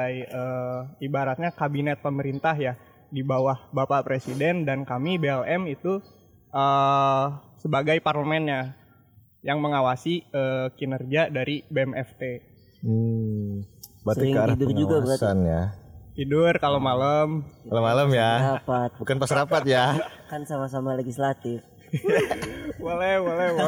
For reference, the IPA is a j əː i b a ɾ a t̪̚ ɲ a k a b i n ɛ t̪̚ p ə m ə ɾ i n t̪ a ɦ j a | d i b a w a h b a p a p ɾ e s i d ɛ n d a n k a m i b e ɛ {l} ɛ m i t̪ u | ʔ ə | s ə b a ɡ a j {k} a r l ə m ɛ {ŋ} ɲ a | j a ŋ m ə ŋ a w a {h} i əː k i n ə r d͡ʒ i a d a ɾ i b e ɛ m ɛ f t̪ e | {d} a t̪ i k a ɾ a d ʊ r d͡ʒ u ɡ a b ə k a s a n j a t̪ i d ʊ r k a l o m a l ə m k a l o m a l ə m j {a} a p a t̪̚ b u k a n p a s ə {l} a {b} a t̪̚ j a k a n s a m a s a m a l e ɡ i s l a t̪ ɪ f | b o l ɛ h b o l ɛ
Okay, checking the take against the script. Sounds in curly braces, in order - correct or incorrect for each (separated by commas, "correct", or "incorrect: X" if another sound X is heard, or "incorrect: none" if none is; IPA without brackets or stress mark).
correct, incorrect: p, incorrect: n, incorrect: s, incorrect: b, correct, incorrect: ɾ, incorrect: p